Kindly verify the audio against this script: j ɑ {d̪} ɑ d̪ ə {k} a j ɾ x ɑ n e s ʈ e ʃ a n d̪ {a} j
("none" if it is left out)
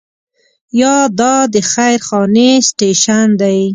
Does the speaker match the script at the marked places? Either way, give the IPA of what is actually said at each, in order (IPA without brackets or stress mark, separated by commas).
d̪, x, a